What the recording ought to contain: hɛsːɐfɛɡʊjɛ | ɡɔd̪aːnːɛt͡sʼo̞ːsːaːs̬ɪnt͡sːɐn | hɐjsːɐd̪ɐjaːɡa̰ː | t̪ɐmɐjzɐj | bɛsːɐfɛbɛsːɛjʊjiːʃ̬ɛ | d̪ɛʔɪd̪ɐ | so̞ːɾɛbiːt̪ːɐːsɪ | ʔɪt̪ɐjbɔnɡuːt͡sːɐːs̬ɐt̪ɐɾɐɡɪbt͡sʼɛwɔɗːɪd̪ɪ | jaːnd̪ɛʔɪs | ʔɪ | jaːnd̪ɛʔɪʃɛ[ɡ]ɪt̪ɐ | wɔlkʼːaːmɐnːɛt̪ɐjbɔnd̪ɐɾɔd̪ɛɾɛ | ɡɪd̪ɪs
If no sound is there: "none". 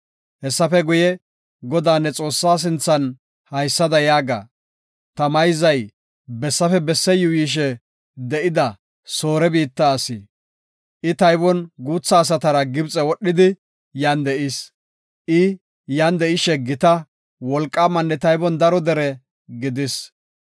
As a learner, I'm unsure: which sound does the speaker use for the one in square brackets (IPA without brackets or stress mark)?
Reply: ɡ